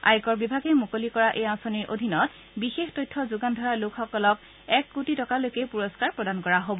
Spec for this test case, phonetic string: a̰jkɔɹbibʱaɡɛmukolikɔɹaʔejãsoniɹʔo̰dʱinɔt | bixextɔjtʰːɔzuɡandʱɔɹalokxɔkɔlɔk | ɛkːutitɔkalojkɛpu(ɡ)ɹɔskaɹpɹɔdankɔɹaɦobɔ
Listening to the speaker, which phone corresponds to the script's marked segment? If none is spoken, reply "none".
none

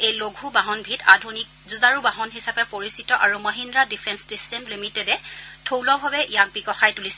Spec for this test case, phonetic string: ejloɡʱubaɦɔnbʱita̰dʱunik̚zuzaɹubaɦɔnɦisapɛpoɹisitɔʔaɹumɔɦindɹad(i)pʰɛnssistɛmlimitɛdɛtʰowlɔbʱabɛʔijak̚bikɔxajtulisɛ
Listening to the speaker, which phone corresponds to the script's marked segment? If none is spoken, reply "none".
i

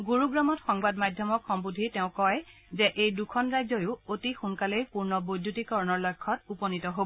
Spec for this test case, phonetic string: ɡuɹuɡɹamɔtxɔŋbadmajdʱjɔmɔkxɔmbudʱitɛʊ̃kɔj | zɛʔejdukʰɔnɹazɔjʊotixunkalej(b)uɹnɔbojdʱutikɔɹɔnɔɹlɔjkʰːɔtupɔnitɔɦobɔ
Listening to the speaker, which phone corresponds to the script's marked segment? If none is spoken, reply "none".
p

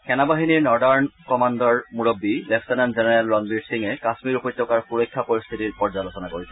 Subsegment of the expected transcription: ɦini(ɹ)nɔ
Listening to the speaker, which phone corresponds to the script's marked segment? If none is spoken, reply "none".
ɹ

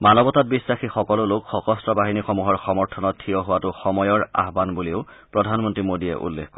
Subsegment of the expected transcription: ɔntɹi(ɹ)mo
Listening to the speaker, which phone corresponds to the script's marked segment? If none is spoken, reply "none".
none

